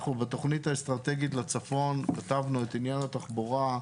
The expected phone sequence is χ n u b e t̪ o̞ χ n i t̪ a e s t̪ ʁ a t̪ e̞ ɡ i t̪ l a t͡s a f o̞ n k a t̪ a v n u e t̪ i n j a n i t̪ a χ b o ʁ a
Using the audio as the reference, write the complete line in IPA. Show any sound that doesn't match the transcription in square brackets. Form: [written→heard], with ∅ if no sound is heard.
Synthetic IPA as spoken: χ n u b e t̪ o̞ χ n i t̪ a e s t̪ ʁ a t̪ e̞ ɡ i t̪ l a t͡s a f o̞ n k a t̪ a v n u e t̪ i n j a n [i→a] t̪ a χ b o ʁ a